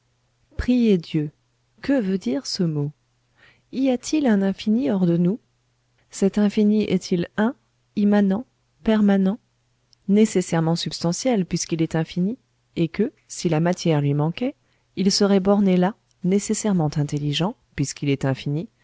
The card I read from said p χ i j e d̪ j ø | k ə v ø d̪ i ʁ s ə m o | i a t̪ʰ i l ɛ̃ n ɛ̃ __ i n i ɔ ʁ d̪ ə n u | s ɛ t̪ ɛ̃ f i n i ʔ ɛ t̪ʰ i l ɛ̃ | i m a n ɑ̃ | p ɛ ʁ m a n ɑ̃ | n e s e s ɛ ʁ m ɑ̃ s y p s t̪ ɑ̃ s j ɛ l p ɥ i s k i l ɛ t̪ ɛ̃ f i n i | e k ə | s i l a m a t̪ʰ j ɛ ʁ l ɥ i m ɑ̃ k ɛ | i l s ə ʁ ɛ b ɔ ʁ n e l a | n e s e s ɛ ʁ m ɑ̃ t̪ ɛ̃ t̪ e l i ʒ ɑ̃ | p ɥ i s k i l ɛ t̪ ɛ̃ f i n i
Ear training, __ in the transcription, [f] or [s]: f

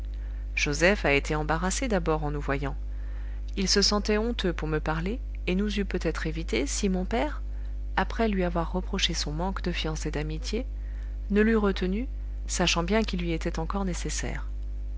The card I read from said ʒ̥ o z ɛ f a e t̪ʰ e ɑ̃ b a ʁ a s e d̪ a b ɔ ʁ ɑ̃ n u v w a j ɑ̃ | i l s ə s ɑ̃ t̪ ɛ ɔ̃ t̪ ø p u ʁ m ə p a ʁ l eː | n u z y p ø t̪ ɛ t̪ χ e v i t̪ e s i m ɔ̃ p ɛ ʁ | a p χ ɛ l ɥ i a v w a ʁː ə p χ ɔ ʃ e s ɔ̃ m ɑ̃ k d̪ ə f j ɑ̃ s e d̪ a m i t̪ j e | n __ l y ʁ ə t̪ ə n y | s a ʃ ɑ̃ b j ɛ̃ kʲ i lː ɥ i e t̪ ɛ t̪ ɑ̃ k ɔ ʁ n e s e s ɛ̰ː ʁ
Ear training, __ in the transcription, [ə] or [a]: ə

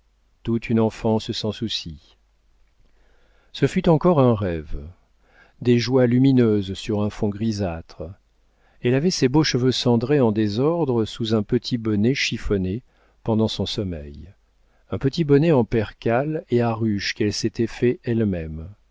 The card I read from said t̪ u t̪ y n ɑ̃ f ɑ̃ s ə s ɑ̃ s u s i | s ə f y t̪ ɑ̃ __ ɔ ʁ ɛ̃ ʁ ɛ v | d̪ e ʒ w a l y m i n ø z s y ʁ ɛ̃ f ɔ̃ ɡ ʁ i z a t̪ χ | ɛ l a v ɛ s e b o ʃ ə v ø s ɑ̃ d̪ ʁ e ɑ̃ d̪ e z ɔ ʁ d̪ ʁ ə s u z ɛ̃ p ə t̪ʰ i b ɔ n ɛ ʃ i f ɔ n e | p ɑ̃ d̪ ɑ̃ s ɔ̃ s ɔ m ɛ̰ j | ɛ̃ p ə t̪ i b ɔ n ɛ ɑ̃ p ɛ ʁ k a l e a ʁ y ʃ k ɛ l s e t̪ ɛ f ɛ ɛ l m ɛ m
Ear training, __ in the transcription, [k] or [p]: k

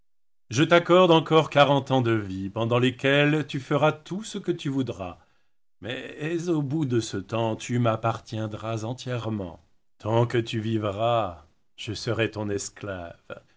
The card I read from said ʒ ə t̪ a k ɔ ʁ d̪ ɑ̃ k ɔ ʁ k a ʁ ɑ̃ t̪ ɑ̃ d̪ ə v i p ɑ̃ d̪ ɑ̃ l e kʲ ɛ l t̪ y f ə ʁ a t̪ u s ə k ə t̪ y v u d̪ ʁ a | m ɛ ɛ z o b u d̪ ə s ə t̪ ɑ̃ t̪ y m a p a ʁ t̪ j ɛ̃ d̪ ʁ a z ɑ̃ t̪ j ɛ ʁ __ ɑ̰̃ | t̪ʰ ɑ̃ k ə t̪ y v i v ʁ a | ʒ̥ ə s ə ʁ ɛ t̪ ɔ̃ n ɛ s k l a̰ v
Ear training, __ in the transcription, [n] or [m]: m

